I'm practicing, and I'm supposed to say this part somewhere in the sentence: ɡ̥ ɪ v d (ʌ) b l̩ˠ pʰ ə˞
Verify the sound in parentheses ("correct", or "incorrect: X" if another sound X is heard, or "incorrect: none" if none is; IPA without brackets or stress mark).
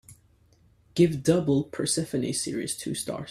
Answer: correct